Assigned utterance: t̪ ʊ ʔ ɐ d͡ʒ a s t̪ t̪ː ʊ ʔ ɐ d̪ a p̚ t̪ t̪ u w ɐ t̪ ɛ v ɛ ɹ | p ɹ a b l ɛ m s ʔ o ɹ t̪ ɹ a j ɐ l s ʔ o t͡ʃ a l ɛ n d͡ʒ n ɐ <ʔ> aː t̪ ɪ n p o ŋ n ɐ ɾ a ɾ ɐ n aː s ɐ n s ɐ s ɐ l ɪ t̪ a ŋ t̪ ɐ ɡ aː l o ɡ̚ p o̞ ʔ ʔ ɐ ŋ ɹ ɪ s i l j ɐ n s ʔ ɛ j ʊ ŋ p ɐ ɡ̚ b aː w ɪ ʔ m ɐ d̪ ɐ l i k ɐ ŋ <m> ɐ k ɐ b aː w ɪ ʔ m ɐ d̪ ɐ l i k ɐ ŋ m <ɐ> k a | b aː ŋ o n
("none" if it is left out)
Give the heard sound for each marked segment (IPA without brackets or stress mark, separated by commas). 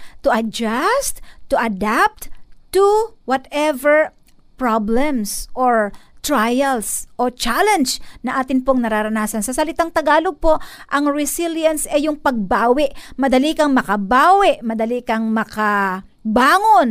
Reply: ʔ, m, ɐ